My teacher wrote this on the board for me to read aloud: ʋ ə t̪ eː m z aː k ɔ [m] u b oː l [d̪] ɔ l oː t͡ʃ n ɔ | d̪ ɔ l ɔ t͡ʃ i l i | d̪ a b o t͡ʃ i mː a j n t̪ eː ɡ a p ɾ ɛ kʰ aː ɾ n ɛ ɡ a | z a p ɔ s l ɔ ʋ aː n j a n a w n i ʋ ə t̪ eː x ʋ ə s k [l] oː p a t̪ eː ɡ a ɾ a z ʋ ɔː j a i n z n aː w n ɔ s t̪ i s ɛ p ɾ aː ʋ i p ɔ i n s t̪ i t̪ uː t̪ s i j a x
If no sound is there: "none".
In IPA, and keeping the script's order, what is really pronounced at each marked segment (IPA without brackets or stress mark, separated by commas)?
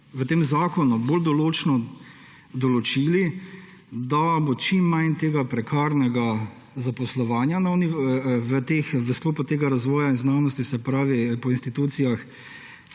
n, d̪, l